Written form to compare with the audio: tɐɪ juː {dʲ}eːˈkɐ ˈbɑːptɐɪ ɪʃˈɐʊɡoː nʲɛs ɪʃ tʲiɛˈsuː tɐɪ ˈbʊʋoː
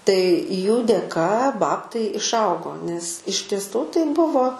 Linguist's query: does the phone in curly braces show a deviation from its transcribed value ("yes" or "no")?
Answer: no